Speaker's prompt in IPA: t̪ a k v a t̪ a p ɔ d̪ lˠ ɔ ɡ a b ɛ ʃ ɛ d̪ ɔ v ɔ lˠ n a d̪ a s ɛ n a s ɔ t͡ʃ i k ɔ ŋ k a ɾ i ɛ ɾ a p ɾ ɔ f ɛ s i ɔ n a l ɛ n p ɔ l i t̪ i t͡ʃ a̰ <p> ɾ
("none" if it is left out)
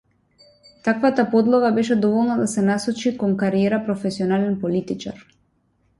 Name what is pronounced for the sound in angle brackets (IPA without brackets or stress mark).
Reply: none